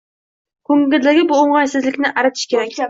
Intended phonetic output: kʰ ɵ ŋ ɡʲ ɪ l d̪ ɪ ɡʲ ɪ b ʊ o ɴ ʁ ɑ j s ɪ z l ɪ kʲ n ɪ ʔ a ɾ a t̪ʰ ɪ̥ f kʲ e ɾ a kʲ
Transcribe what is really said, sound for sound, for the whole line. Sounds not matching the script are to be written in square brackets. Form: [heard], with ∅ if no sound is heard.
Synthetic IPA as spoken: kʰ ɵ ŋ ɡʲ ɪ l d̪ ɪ ɡʲ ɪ b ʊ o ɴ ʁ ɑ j s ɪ z l ɪ kʲ n ɪ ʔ a ɾ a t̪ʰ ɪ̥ [ʃ] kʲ e ɾ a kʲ